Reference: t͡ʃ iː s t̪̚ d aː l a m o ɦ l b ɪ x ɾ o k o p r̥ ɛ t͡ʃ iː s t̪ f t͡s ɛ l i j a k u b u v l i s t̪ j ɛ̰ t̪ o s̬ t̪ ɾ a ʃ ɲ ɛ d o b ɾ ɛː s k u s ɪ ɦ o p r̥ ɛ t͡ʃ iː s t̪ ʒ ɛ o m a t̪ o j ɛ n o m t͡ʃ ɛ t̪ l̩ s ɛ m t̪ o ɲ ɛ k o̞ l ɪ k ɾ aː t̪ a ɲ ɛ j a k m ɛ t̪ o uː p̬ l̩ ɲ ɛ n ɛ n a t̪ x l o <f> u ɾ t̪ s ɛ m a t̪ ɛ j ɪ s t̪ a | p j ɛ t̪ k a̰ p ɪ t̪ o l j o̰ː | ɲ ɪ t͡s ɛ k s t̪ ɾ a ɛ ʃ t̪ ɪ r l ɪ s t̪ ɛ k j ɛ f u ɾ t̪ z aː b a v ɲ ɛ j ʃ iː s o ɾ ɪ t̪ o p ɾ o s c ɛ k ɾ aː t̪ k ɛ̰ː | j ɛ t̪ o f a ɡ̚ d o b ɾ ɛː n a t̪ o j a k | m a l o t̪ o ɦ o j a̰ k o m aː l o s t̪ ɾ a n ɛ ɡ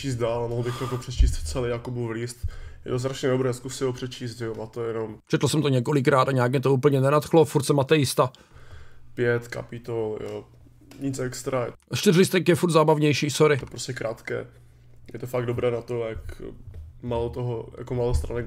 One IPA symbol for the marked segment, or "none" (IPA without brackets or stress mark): f